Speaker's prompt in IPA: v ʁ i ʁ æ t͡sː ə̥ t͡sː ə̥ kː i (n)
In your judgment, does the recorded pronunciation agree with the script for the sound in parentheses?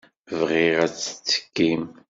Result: no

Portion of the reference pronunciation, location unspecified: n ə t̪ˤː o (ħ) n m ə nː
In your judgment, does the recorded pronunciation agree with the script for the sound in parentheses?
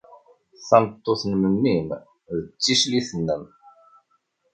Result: no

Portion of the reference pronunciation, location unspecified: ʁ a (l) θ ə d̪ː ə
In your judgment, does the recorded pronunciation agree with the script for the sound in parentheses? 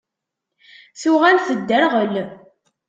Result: yes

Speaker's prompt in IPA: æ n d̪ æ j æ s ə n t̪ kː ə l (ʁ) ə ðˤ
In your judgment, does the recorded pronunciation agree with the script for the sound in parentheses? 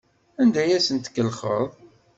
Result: no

